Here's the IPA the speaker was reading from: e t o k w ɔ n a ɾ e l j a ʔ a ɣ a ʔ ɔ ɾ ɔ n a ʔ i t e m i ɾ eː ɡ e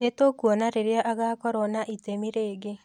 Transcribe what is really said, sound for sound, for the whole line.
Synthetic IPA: e t o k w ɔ n a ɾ e ɾ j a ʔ a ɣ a k ɔ ɾ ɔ n a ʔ i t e m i ɾ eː ɡ e